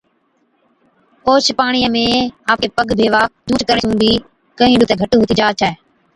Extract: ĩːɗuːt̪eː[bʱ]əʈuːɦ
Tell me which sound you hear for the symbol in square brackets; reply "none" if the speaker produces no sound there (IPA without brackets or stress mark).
ɡʱ